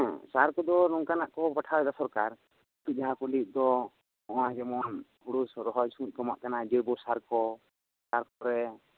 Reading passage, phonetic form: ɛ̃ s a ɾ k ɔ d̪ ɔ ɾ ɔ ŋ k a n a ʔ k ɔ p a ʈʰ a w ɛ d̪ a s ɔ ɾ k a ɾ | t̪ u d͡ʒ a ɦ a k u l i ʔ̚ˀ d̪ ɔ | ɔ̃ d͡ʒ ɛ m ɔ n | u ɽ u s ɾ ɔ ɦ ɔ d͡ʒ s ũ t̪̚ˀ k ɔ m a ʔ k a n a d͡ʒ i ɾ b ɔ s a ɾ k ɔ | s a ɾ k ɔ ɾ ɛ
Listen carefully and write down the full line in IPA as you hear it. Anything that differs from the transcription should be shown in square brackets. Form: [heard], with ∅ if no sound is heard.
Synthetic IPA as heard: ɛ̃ s a ɾ k ɔ d̪ ɔ ɾ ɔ ŋ k a n a ʔ k ɔ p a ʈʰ a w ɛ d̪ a s ɔ ɾ k a ɾ | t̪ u d͡ʒ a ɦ a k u l i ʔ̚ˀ d̪ ɔ | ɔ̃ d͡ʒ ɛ m ɔ n | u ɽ u s ɾ ɔ ɦ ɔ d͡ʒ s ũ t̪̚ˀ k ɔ m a ʔ k a n a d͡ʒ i ɾ b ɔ s a ɾ k ɔ | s a ɾ k ɔ ɾ ɛ